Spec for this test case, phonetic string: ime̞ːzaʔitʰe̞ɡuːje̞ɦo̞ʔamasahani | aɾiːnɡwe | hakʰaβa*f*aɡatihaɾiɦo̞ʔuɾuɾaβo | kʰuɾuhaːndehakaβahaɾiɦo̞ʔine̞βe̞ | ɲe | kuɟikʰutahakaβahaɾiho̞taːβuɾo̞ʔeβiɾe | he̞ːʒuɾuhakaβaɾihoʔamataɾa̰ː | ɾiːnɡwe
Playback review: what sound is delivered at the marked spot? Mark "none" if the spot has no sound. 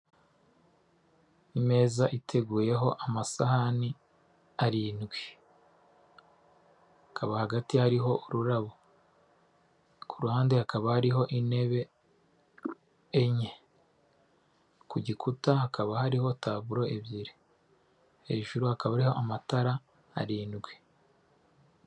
h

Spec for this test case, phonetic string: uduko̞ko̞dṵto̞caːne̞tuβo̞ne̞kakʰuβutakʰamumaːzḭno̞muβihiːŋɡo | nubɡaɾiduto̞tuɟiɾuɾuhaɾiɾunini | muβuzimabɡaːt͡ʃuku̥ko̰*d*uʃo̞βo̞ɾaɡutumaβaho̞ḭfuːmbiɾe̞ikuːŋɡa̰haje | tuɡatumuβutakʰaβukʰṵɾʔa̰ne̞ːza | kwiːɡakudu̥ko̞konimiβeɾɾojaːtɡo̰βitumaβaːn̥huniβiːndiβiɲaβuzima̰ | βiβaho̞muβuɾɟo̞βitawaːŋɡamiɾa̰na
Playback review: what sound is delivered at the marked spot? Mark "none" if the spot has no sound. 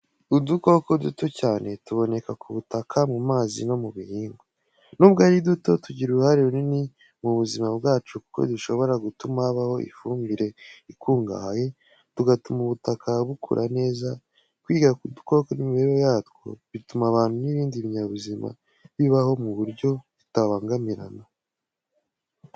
d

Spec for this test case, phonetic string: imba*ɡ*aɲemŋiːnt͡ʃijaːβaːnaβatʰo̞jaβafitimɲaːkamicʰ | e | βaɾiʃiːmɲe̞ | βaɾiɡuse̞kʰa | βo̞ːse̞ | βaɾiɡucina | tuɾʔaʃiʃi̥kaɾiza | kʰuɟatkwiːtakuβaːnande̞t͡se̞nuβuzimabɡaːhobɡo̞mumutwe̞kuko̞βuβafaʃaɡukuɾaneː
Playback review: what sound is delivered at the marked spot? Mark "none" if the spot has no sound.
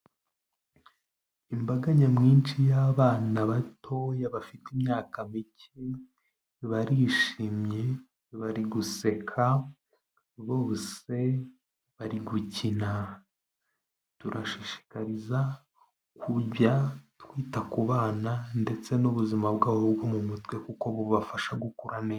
ɡ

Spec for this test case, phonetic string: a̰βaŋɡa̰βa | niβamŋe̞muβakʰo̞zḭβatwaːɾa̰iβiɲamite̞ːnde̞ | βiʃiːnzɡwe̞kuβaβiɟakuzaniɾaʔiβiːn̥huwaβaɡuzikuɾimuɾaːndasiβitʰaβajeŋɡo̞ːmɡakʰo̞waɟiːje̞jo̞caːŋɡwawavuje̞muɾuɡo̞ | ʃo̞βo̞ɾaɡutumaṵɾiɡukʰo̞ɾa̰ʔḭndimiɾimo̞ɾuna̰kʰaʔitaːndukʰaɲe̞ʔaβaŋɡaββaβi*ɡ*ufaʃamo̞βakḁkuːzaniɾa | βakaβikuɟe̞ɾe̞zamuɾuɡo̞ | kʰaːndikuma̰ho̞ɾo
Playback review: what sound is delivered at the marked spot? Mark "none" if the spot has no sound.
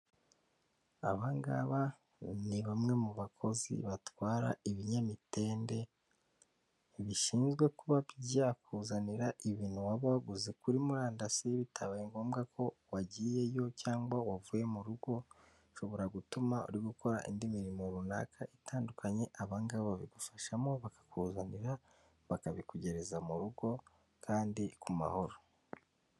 ɡ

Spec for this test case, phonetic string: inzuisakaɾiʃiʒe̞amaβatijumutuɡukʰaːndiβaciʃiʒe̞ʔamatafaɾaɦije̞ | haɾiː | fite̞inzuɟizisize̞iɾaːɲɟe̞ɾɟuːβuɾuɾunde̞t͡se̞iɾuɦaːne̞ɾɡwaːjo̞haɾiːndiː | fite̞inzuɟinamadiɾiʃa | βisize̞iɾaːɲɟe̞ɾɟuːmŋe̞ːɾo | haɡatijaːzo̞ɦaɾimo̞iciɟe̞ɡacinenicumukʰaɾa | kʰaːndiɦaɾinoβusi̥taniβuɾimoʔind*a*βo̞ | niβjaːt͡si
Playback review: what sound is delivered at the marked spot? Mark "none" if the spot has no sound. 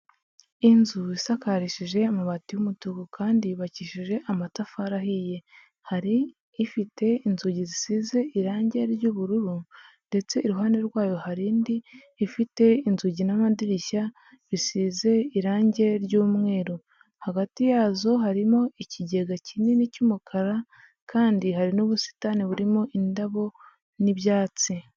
a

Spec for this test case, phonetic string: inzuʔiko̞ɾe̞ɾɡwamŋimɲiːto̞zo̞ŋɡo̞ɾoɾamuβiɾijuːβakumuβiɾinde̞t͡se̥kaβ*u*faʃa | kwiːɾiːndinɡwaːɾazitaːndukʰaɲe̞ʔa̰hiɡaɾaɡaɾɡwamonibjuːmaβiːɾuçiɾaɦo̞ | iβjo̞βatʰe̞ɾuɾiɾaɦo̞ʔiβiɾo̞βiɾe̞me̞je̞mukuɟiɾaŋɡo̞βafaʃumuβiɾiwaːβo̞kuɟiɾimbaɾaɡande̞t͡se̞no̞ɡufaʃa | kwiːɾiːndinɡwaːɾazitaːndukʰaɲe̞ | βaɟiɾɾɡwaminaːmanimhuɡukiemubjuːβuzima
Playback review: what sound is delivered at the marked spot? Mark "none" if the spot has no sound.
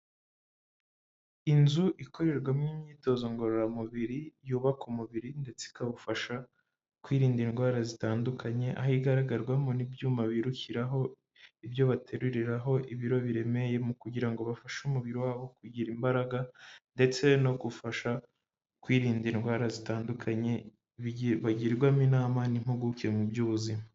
u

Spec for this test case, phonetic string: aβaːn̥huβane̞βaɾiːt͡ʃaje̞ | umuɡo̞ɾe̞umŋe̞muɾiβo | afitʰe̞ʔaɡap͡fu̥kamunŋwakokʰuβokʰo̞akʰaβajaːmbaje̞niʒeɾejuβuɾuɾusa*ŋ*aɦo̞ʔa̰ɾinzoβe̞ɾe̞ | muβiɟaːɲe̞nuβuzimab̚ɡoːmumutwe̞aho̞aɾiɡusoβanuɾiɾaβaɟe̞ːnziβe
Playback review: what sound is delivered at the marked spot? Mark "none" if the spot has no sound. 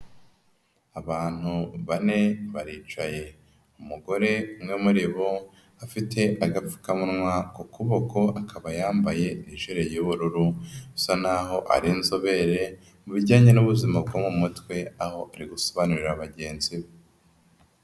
n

